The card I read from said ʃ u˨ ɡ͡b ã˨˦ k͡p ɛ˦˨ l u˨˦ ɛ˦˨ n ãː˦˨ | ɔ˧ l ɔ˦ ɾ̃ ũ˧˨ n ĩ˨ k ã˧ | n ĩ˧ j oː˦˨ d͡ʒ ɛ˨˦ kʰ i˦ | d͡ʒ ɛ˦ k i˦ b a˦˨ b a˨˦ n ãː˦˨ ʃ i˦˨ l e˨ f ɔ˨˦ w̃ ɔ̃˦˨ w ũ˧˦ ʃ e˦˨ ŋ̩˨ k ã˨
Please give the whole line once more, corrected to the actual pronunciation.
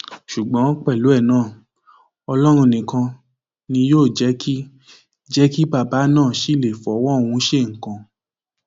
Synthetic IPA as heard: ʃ u˨ ɡ͡b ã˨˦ k͡p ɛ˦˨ l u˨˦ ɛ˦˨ n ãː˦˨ | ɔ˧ l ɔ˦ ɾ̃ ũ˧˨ n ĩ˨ k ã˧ | n ĩ˧ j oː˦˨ d͡ʒ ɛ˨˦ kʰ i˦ | d͡ʒ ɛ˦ k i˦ b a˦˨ b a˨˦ n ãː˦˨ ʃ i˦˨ l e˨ f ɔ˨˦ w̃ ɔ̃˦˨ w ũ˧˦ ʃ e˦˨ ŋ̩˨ k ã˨